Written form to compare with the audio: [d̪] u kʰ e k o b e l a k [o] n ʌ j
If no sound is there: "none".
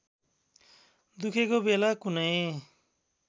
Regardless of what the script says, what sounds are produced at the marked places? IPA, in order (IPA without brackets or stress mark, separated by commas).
d̪, u